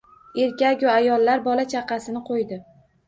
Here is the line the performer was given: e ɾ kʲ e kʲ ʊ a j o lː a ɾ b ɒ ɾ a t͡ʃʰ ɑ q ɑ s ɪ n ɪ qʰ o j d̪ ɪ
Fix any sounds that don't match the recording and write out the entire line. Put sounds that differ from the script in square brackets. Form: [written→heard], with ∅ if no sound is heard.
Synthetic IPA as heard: e ɾ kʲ [e→a] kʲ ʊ a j [o→ɒ] lː a ɾ b ɒ [ɾ→l] a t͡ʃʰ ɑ q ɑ s ɪ n ɪ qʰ o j d̪ ɪ